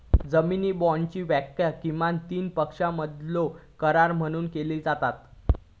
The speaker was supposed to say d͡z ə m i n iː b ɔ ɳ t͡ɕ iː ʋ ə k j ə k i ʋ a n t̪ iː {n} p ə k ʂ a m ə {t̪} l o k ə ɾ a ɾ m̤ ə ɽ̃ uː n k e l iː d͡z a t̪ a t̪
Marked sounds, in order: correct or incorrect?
correct, incorrect: d̪

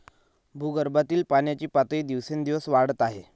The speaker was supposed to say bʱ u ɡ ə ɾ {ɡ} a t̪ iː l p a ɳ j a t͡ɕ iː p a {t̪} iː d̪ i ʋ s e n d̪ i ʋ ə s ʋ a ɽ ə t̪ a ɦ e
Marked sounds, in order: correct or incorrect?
incorrect: b, correct

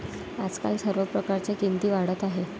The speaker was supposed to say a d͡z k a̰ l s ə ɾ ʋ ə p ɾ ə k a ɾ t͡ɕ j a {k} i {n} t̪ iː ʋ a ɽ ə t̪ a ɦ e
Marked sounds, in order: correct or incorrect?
correct, correct

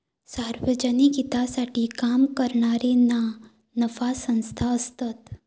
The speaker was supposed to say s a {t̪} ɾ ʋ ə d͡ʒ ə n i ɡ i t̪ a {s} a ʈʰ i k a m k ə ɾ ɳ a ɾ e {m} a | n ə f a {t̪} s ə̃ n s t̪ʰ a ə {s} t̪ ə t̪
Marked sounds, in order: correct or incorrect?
incorrect: none, correct, incorrect: n, incorrect: none, correct

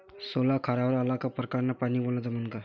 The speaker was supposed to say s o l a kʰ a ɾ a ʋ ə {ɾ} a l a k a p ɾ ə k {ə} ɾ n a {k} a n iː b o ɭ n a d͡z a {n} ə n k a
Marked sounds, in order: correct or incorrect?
correct, incorrect: a, incorrect: p, incorrect: m

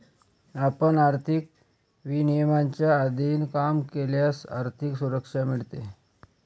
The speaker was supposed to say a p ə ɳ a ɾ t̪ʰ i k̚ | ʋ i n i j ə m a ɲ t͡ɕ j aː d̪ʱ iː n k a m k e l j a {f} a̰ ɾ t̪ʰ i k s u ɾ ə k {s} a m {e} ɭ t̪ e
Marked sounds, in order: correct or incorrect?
incorrect: s, incorrect: ʂ, incorrect: i

